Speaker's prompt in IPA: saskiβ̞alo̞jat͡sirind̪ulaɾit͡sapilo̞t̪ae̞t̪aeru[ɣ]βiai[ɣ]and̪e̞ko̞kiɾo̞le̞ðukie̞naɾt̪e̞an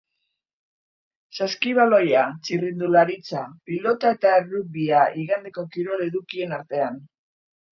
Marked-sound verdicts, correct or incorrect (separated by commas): incorrect, correct